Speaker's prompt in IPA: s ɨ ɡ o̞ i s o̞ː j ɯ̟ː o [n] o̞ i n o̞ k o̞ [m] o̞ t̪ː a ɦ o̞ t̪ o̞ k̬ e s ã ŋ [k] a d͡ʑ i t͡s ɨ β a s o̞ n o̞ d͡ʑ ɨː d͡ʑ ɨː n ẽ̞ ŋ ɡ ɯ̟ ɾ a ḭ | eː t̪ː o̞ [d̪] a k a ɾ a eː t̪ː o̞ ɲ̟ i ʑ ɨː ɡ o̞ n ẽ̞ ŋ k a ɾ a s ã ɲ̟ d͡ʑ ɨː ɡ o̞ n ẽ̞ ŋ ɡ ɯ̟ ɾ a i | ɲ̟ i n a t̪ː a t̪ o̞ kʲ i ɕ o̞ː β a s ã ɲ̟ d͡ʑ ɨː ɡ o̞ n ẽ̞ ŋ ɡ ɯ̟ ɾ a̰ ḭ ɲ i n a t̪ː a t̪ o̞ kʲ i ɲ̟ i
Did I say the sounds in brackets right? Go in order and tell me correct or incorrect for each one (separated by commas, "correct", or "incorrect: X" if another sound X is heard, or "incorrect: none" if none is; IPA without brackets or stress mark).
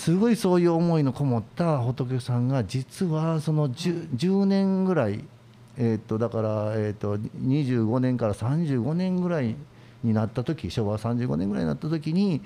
incorrect: m, correct, incorrect: ɡ, correct